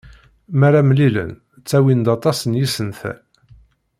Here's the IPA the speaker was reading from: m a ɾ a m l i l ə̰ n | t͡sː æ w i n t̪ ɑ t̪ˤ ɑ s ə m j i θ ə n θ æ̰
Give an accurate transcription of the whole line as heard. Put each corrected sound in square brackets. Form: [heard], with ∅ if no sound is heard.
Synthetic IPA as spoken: m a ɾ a m l i l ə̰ n | t͡sː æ w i n [d̪] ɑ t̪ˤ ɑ s ə [n] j i [s] ə n θ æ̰